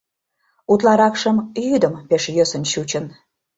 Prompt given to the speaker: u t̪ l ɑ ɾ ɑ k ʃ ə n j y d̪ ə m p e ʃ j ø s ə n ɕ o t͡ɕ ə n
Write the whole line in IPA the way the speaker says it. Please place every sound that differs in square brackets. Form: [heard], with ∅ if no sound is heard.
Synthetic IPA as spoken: u t̪ l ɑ ɾ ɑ k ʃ ə [m] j y d̪ ə m p e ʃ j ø s ə n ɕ [u] t͡ɕ ə n